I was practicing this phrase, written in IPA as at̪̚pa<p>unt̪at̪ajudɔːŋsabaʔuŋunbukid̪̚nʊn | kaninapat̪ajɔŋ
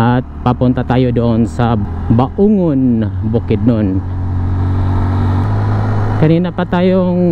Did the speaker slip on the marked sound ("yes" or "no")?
no